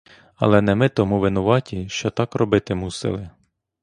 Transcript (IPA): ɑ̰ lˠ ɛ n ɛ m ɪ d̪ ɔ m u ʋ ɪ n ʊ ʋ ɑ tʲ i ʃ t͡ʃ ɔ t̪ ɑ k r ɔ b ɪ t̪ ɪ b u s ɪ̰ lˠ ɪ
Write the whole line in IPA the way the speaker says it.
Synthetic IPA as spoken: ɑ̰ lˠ ɛ n ɛ m ɪ t̪ ɔ m u ʋ ɪ n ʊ ʋ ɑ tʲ i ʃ t͡ʃ ɔ t̪ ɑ k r ɔ b ɪ t̪ ɪ m u s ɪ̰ lˠ ɪ